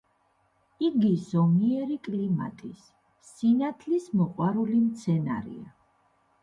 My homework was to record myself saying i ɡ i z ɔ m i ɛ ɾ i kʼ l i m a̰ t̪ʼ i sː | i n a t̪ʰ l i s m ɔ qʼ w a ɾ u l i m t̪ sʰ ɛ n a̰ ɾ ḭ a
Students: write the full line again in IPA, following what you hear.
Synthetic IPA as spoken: i ɡ i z ɔ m i ɛ ɾ i kʼ l i m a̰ t̪ʼ i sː | i n a t̪ʰ l i s m ɔ qʼ w a ɾ u l i m t̪ sʰ ɛ n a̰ ɾ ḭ a